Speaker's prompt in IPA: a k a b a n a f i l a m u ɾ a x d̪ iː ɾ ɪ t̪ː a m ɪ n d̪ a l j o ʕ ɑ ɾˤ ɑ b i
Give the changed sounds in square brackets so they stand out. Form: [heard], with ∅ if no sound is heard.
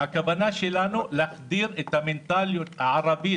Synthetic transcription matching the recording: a k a b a n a [ʃ] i l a [n] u [l] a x d̪ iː ɾ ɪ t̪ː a m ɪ n [t̪] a l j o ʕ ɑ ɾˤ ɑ b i